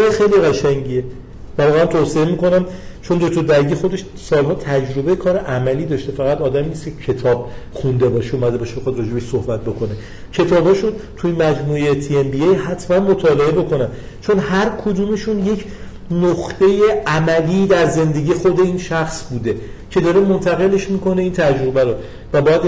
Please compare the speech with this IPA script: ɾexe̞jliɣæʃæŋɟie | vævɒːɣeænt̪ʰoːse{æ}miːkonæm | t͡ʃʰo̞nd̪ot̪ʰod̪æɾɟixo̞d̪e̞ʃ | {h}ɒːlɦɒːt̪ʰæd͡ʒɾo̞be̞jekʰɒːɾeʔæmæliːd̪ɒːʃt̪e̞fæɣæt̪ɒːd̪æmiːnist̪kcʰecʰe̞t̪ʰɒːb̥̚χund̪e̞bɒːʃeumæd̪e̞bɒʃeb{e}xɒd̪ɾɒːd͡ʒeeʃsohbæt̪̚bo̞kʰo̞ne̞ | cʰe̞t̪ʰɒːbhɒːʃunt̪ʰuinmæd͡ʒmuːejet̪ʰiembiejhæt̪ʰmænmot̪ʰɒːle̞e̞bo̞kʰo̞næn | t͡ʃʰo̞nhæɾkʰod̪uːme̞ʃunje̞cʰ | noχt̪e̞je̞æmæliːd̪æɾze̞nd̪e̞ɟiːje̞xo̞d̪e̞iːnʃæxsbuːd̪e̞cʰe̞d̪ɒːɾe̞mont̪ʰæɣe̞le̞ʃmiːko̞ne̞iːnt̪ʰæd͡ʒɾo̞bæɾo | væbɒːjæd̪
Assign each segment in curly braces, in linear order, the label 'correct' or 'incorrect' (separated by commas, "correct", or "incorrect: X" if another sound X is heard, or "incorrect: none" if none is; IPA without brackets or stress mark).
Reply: incorrect: e, incorrect: s, correct